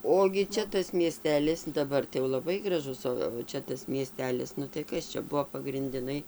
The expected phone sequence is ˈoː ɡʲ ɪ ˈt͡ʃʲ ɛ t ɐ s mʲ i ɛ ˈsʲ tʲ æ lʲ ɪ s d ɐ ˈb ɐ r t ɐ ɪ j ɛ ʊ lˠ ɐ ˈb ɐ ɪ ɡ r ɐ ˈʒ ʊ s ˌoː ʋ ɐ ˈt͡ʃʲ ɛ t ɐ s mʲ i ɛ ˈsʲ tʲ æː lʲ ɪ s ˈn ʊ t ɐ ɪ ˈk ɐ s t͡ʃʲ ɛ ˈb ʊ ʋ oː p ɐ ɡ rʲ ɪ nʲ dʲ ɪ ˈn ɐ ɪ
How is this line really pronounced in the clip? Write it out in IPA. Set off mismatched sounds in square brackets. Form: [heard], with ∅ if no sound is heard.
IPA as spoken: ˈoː ɡʲ ɪ ˈt͡ʃʲ ɛ t ɐ s mʲ i ɛ ˈsʲ tʲ [æː] lʲ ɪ s d ɐ ˈb ɐ r t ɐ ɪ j ɛ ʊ lˠ ɐ ˈb ɐ ɪ ɡ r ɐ ˈʒ ʊ s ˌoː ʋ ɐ ˈt͡ʃʲ ɛ t ɐ s mʲ i ɛ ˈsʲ tʲ æː lʲ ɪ s ˈn ʊ t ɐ ɪ ˈk ɐ s t͡ʃʲ ɛ ˈb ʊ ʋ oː p ɐ ɡ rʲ ɪ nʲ dʲ ɪ ˈn ɐ ɪ